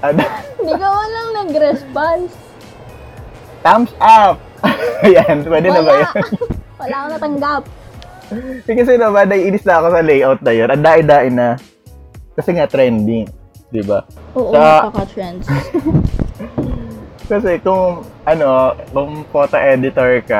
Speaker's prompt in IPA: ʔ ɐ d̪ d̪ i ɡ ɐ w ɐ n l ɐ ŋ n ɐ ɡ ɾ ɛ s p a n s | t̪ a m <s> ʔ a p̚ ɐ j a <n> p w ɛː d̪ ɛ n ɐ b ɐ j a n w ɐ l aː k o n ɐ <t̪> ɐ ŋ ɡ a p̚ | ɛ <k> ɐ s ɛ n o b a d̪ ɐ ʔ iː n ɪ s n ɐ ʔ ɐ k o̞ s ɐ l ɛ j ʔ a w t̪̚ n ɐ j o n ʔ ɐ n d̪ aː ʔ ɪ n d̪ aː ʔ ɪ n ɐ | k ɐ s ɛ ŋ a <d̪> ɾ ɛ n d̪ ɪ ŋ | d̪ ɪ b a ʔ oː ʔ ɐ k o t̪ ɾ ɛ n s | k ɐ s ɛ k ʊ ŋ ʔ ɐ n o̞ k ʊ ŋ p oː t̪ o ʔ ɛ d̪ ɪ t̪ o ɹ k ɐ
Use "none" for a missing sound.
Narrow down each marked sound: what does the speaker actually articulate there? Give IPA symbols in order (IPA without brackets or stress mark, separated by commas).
s, n, t̪, k, t̪